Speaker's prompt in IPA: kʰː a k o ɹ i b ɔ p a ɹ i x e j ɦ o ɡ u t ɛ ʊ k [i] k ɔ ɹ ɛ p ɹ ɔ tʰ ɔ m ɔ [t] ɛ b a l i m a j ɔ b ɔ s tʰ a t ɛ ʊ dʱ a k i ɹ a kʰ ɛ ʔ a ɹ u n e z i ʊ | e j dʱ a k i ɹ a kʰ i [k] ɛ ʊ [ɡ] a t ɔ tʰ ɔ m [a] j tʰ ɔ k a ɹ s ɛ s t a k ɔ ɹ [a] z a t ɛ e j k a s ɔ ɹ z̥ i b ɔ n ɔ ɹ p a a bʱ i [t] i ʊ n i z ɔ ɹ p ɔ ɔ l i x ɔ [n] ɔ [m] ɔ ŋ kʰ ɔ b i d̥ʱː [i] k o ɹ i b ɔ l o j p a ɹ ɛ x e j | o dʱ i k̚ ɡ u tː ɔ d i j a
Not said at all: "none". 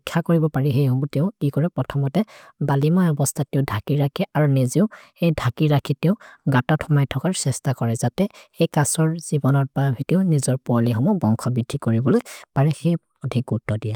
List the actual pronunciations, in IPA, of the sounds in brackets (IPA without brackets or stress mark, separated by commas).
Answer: i, t, t, ɡ, a, ɛ, t, m, b, i